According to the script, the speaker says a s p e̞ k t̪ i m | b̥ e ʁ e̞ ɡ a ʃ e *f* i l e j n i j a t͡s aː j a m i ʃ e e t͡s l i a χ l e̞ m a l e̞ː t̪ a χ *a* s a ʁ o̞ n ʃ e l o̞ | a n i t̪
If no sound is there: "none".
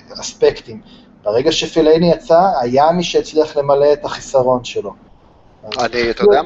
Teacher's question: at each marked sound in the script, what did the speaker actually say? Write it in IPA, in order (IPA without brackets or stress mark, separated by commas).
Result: f, i